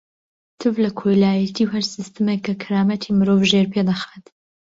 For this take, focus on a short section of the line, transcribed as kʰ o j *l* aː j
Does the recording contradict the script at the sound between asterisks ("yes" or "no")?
no